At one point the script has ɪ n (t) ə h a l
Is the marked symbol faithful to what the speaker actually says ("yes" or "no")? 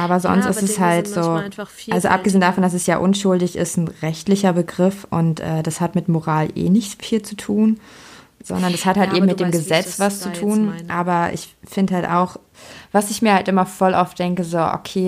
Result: no